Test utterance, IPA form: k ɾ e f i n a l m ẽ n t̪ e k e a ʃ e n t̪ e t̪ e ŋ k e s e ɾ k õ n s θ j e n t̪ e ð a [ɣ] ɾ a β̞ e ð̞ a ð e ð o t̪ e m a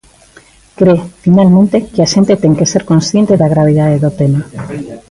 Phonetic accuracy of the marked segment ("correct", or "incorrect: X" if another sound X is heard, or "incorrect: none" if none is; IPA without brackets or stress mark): correct